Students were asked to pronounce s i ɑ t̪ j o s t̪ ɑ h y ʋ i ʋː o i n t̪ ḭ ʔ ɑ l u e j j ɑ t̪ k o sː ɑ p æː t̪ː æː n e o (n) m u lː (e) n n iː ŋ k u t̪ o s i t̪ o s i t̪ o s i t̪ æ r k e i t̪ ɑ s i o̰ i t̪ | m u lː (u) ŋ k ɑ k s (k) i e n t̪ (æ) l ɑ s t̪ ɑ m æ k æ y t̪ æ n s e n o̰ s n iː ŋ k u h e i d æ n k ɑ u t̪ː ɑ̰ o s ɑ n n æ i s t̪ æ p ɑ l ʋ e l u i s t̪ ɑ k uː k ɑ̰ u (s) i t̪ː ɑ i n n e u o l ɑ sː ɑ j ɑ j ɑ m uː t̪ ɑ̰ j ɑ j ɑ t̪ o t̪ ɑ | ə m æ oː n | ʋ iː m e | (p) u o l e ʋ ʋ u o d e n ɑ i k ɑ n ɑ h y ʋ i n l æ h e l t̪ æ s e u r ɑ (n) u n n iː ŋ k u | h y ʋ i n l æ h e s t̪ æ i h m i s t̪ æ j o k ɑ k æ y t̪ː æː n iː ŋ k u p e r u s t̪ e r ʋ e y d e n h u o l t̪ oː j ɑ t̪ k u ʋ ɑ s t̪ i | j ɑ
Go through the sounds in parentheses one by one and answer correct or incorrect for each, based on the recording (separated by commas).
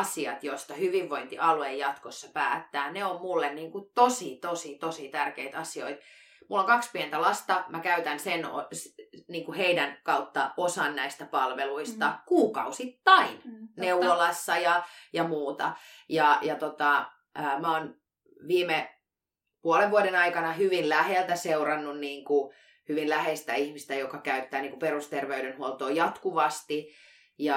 incorrect, correct, incorrect, incorrect, correct, correct, correct, incorrect